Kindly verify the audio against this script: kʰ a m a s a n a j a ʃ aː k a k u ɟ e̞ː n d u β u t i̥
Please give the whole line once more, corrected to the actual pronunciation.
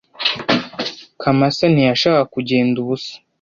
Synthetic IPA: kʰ a m a s a n i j a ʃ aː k a k u ɟ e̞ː n d u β u s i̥